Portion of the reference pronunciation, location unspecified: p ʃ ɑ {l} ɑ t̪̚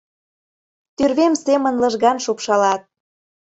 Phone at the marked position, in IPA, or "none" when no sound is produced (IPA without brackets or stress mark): l